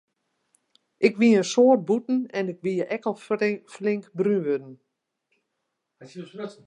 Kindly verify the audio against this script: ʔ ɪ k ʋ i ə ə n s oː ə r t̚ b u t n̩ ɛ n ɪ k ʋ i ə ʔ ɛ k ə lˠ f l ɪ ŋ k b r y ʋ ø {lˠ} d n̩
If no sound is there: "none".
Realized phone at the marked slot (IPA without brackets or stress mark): none